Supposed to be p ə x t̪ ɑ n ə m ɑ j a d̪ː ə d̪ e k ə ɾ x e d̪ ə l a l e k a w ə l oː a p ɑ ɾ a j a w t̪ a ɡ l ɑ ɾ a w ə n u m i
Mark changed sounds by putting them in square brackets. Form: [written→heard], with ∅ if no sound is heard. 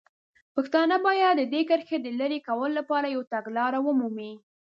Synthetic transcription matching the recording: p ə x t̪ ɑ n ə [m→b] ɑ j a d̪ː ə d̪ e k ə ɾ x e d̪ ə l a [l→ɾ] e k a w ə l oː a p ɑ ɾ a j a w t̪ a ɡ l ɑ ɾ a w ə [n→m] u m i